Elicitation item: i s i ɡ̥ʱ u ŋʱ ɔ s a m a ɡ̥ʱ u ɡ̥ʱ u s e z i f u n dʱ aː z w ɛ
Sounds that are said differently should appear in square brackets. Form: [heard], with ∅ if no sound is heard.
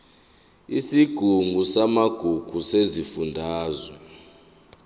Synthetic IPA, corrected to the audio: i s i ɡ̥ʱ u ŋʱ [u] s a m a ɡ̥ʱ u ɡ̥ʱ u s e z i f u n dʱ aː z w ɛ